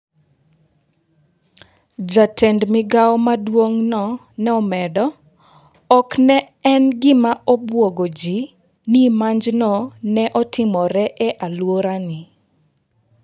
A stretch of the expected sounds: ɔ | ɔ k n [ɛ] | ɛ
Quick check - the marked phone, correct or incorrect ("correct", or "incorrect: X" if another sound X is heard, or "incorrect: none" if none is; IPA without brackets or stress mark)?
correct